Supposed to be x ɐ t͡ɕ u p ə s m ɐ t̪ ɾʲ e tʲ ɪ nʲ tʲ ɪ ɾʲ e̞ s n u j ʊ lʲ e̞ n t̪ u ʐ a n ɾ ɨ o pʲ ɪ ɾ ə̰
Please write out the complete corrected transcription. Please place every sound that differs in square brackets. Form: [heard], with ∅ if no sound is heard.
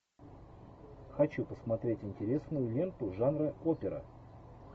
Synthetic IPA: x ɐ t͡ɕ u p ə s m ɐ t̪ ɾʲ e tʲ ɪ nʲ tʲ ɪ ɾʲ e̞ s n [ʊ] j ʊ lʲ e̞ n t̪ [ʊ] ʐ a n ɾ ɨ o pʲ ɪ ɾ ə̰